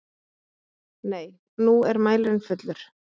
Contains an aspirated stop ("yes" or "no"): no